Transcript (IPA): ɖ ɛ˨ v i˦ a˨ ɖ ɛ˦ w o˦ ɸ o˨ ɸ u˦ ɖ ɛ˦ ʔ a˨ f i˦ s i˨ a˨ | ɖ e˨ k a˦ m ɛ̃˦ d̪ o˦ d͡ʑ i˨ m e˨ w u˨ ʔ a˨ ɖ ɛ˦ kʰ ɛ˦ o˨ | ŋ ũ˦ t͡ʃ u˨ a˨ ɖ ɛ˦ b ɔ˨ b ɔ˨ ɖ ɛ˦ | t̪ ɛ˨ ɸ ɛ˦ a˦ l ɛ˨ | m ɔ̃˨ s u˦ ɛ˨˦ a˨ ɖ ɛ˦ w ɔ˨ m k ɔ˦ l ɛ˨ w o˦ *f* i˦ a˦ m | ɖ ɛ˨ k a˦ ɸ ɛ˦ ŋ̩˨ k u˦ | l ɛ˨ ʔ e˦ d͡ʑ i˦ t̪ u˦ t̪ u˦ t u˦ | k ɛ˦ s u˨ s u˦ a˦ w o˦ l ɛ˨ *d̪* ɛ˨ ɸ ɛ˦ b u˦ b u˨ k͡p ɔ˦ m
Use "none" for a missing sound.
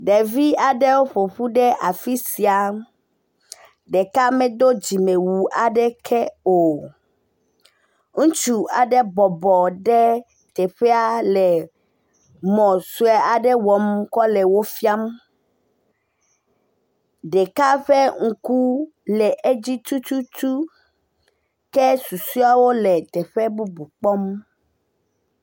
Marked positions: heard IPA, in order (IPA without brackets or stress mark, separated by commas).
f, t̪